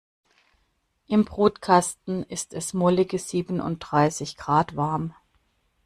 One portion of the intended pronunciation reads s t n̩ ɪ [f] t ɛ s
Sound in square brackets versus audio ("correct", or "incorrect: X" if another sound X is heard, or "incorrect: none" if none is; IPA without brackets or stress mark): incorrect: s